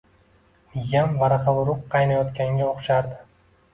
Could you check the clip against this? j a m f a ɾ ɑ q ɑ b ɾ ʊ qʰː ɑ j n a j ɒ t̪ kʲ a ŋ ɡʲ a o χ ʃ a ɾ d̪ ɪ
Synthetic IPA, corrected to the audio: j a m v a ɾ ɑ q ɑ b ɾ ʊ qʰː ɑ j n a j ɒ t̪ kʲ a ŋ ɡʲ a o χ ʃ a ɾ d̪ ɪ